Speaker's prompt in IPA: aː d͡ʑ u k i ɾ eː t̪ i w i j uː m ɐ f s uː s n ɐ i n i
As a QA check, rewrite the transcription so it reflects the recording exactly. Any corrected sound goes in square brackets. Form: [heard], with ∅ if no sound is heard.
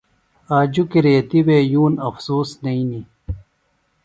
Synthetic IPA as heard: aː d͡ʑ u k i ɾ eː t̪ i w [e] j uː [n] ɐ f s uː s n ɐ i n i

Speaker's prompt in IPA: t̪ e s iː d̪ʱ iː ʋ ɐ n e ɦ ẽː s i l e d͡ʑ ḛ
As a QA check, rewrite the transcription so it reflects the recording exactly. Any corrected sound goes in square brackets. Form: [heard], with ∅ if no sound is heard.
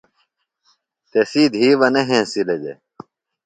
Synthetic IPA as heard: t̪ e s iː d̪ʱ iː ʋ ɐ n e ɦ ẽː s i l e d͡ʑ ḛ

